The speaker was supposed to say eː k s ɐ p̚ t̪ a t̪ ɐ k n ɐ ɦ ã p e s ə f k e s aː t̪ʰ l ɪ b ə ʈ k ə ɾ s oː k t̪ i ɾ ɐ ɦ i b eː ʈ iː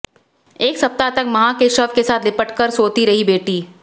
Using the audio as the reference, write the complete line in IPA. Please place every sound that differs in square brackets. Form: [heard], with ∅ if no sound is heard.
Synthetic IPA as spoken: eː k s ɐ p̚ t̪ a t̪ ɐ k [m] ɐ ɦ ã [k] e [ʃ] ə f k e s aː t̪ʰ l ɪ [p] ə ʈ k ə ɾ s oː [∅] t̪ i ɾ ɐ ɦ i b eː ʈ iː